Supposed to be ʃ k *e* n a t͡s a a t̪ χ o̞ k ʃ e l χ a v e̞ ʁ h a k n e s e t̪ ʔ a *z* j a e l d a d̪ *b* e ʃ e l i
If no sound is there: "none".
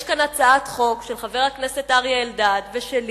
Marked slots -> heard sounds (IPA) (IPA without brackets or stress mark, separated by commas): a, ʁ, v